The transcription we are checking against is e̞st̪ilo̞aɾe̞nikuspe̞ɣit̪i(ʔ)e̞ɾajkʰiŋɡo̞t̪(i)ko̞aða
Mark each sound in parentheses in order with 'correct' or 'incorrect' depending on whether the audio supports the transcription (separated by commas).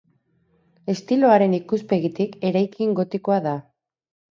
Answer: incorrect, correct